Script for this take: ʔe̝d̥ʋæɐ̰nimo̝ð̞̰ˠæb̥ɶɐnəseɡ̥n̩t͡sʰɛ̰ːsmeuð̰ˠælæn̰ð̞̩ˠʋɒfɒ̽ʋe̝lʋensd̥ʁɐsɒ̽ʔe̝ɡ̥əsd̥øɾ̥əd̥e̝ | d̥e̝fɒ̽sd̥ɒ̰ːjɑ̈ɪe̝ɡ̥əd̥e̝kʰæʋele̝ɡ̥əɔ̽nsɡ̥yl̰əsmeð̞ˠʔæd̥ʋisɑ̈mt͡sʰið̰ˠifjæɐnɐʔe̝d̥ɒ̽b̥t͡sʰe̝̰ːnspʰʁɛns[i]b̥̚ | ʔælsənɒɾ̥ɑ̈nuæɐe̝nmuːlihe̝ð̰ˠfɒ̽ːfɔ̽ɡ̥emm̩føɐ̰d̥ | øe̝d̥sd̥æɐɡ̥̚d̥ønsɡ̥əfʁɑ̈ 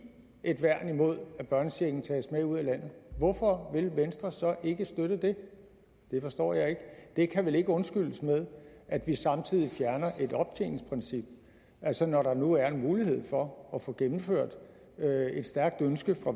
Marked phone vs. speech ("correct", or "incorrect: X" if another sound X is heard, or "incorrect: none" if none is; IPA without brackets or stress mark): correct